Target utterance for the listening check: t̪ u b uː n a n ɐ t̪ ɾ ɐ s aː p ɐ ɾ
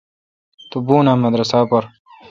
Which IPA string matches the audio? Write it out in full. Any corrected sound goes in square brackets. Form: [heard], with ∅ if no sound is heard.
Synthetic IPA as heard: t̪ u b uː n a [m] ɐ [d̪] ɾ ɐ s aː p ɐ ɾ